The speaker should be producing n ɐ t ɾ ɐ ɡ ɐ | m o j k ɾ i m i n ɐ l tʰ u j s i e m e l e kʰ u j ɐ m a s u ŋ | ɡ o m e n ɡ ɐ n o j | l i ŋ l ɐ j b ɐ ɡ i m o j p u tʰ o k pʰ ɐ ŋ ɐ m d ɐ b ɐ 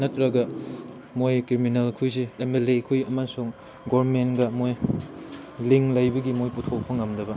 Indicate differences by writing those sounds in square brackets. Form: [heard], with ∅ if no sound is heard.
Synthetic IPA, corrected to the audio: n ɐ t ɾ ɐ ɡ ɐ | m o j k ɾ i m i n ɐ l [kʰ] u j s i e m e l e kʰ u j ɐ m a s u ŋ | ɡ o m e n ɡ ɐ [m] o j | l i ŋ l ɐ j b ɐ ɡ i m o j p u tʰ o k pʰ ɐ ŋ ɐ m d ɐ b ɐ

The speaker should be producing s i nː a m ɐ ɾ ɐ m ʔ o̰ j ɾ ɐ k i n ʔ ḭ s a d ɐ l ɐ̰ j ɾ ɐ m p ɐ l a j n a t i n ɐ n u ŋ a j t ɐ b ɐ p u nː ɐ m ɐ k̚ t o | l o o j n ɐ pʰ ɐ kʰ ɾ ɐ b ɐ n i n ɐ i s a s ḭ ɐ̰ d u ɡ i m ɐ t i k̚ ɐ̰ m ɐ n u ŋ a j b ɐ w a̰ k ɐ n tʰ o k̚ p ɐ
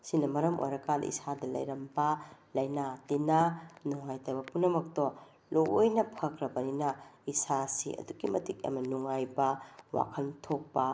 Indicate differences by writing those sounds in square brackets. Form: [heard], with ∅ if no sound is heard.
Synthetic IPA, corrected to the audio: s i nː [ɐ] m ɐ ɾ ɐ m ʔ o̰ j ɾ ɐ k [a] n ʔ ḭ s a d ɐ l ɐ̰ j ɾ ɐ m [b] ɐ l [ɐ] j n a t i n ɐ n u ŋ a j t ɐ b ɐ p u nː ɐ m ɐ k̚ t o | l o o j n ɐ pʰ ɐ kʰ ɾ ɐ b ɐ n i n ɐ i s a s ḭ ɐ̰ d u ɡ i m ɐ t i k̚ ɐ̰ m ɐ n u ŋ a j b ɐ w a̰ [kʰ] ɐ n tʰ o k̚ p ɐ

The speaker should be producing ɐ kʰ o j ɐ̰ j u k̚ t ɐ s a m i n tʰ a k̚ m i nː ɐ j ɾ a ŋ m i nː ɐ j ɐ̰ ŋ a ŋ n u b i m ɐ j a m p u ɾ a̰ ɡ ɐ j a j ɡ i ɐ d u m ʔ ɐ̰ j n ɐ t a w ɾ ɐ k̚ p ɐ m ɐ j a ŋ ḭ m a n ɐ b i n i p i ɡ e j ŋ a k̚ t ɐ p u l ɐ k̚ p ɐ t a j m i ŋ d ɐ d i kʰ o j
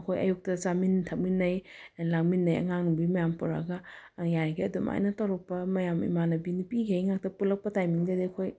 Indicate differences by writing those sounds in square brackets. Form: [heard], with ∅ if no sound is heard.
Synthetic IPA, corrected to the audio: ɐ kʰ o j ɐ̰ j u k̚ t ɐ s a m i n tʰ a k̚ m i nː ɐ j [l] a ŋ m i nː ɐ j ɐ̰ ŋ a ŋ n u b i m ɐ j a m p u ɾ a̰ ɡ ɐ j a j ɡ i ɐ d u m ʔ [a̰] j n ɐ t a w ɾ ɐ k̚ p ɐ m ɐ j a [m] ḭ m a n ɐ b i n i p i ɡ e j ŋ a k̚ t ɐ p u l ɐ k̚ p ɐ t a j m i ŋ d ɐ d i kʰ o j

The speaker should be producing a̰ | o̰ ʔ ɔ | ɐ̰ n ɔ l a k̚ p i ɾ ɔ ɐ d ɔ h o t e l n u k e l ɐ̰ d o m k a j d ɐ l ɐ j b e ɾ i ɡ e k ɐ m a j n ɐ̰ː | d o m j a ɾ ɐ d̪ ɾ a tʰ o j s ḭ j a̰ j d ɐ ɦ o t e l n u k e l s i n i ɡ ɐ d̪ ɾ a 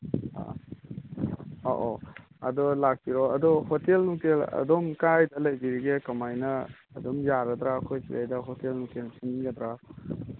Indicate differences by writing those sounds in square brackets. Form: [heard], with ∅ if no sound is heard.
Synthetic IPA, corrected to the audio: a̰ | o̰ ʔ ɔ | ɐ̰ [d] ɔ l a k̚ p i ɾ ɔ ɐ d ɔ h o t e l n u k e l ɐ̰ d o m k a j d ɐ l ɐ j b [i] ɾ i ɡ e k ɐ m a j n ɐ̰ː | d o m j a ɾ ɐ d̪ ɾ a [kʰ] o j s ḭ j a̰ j d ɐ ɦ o t e l n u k e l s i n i ɡ ɐ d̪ ɾ a

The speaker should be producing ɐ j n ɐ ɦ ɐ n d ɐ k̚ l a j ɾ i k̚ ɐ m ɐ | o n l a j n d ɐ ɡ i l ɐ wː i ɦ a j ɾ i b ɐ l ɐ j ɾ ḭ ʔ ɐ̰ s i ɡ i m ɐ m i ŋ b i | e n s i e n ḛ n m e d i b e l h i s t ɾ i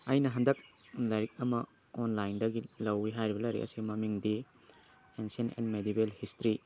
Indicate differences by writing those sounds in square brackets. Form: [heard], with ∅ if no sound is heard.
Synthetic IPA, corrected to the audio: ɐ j n ɐ ɦ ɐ n d ɐ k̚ l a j ɾ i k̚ ɐ m ɐ | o n l a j n d ɐ ɡ i l ɐ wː i ɦ a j ɾ i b ɐ l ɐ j ɾ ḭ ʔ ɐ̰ s i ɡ i m ɐ m i ŋ [d] i | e n s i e n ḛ n m e d i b e l h i s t ɾ i

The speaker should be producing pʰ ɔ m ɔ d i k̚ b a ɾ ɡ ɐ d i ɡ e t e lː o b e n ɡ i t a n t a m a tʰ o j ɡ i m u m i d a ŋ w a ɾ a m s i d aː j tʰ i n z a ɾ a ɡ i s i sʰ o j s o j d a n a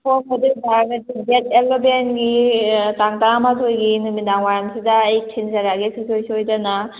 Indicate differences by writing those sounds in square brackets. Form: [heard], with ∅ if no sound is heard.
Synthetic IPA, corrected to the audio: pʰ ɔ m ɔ d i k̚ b a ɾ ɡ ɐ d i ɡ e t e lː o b e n ɡ i t a [ŋ] t a m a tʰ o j ɡ i [n] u m i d a ŋ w a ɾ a m s i d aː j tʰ i n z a ɾ a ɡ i s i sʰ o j s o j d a n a

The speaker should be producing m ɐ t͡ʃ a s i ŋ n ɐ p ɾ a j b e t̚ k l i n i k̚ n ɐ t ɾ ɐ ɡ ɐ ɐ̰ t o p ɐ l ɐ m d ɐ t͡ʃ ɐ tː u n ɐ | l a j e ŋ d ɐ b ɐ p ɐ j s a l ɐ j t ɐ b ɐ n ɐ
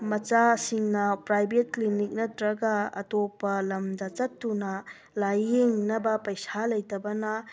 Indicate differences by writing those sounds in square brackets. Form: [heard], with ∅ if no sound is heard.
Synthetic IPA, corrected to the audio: m ɐ t͡ʃ a s i ŋ n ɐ p ɾ a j b e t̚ k l i n i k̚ n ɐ t ɾ ɐ ɡ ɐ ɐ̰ t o p ɐ l ɐ m d ɐ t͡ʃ ɐ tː u n ɐ | l a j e ŋ [n] ɐ b ɐ p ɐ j s a l ɐ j t ɐ b ɐ n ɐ

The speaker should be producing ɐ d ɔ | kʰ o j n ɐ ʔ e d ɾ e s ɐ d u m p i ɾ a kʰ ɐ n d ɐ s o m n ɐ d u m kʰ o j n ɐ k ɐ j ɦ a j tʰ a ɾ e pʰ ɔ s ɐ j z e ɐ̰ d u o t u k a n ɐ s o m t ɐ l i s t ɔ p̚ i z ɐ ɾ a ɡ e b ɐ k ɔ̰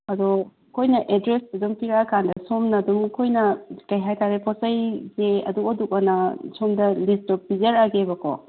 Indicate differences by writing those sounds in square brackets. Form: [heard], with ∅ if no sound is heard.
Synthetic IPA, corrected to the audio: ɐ d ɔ | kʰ o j n ɐ ʔ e d ɾ e s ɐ d u m p i ɾ a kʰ [a] n d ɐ s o m n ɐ d u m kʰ o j n ɐ k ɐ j ɦ a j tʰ a ɾ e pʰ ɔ s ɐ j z e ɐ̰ d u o [d] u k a n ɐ s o m [d] ɐ l i s t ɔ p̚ i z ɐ ɾ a ɡ e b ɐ k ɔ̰

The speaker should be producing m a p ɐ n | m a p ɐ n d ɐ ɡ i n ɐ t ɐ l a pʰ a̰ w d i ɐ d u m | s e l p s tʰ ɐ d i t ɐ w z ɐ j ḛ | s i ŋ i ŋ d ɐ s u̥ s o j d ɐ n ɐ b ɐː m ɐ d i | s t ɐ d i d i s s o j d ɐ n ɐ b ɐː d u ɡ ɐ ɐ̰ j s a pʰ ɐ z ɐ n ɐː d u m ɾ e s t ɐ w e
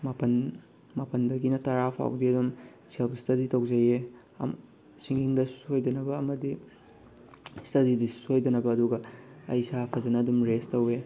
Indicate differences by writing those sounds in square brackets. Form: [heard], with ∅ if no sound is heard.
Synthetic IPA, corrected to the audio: m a p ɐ n | m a p ɐ n d ɐ ɡ i n ɐ t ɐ [ɾ] a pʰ a̰ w d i ɐ d u m | s e l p s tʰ ɐ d i t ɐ w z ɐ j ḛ | s i ŋ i ŋ d ɐ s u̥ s o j d ɐ n ɐ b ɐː m ɐ d i | s t ɐ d i d i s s o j d ɐ n ɐ b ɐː d u ɡ ɐ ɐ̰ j s a pʰ ɐ z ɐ n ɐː d u m ɾ e s t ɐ w e

